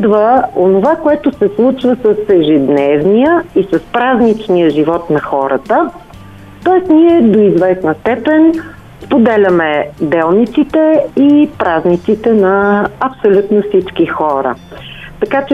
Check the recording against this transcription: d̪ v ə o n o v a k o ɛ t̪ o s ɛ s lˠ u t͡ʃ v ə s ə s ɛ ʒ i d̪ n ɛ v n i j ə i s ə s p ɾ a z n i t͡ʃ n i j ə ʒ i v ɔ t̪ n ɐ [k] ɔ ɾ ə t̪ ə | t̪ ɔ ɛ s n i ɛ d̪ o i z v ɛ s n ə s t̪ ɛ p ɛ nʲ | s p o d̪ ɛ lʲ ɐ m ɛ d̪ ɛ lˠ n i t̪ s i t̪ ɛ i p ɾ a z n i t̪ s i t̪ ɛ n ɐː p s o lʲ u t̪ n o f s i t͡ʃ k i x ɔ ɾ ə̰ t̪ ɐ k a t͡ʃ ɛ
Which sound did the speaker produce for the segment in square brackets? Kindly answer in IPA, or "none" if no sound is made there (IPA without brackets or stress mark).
x